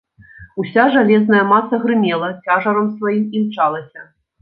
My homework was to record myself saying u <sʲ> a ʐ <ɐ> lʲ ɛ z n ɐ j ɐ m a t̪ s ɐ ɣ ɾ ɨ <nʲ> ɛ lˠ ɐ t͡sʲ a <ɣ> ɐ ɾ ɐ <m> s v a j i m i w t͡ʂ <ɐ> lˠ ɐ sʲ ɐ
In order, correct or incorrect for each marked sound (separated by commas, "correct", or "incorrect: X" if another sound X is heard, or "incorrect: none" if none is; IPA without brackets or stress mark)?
correct, incorrect: a, incorrect: mʲ, incorrect: ʐ, correct, incorrect: a